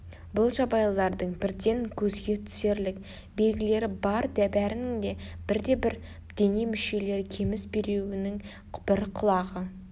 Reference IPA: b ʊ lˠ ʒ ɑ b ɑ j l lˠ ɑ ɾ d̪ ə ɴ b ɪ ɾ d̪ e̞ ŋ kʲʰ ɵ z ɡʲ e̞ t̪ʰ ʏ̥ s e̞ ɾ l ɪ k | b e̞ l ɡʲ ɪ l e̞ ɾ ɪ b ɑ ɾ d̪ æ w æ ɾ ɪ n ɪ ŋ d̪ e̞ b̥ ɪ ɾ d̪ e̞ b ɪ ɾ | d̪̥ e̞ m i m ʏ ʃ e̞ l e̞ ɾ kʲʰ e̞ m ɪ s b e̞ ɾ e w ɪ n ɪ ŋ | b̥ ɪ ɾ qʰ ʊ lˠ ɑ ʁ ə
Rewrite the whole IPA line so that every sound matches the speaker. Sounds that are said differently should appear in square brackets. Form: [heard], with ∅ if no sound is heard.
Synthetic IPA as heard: b ʊ lˠ ʒ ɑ b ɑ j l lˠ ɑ ɾ d̪ ə ɴ b ɪ ɾ d̪ e̞ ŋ kʲʰ ɵ z ɡʲ e̞ t̪ʰ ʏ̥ s e̞ ɾ l ɪ k | b e̞ l ɡʲ ɪ l e̞ ɾ ɪ b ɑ ɾ d̪ æ [b] æ ɾ ɪ n ɪ ŋ d̪ e̞ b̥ ɪ ɾ d̪ e̞ b ɪ ɾ | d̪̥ e̞ [n] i m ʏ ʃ e̞ l e̞ ɾ kʲʰ e̞ m ɪ s b e̞ ɾ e w ɪ n ɪ ŋ | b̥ ɪ ɾ qʰ ʊ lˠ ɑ ʁ ə

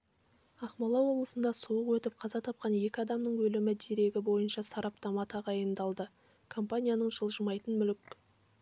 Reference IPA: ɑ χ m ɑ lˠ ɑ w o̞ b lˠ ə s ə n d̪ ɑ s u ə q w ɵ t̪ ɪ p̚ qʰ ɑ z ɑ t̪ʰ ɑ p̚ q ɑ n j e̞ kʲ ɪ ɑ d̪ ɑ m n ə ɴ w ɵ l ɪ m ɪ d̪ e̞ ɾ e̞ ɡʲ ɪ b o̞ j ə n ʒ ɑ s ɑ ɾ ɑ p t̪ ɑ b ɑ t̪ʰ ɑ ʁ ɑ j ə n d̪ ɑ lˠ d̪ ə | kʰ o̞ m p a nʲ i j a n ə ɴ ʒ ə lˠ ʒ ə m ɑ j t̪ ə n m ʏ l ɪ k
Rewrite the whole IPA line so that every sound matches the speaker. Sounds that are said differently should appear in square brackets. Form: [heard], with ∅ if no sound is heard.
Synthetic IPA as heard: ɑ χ m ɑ lˠ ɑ w o̞ b lˠ ə s ə n d̪ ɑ s u ə q w ɵ t̪ ɪ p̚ qʰ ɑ z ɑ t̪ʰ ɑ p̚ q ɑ n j e̞ kʲ ɪ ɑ d̪ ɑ m n ə ɴ w ɵ l ɪ m ɪ d̪ e̞ ɾ e̞ ɡʲ ɪ b o̞ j ə n [ʃ] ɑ s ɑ ɾ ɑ p t̪ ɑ [m] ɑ t̪ʰ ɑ ʁ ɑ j ə n d̪ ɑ lˠ d̪ ə | kʰ o̞ m p a nʲ i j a n ə ɴ ʒ ə lˠ ʒ ə m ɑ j t̪ ə n m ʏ l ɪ k

